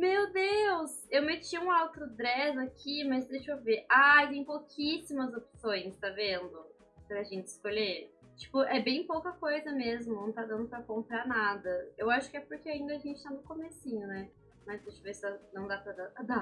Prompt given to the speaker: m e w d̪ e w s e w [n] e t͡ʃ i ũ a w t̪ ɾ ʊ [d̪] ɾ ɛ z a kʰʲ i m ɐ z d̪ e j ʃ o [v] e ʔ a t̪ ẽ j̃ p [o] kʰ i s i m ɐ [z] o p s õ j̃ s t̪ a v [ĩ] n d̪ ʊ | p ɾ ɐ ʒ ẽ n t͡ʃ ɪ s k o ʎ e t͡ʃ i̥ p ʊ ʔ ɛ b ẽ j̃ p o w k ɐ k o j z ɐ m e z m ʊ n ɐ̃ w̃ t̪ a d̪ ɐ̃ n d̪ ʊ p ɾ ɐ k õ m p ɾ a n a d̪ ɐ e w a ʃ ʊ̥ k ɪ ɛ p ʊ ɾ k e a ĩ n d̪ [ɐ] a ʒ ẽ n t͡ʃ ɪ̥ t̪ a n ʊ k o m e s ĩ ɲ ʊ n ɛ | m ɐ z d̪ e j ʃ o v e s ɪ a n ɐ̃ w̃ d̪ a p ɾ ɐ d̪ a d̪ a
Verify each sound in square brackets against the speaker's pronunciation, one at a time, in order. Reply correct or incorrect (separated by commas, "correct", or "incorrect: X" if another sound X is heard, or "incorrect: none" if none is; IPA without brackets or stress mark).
incorrect: m, correct, correct, correct, correct, incorrect: ẽ, correct